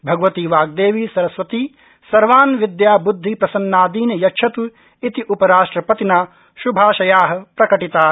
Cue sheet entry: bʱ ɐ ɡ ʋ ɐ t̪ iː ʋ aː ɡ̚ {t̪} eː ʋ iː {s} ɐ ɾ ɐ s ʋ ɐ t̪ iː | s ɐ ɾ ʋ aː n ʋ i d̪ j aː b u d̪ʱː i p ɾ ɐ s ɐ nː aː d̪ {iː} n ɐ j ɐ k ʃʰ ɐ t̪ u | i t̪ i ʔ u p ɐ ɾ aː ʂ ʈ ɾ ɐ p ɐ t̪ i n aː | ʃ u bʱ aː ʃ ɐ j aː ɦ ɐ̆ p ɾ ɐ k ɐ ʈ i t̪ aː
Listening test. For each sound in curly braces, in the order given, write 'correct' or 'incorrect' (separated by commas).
incorrect, correct, correct